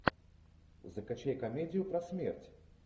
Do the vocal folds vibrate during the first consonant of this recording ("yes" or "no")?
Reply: yes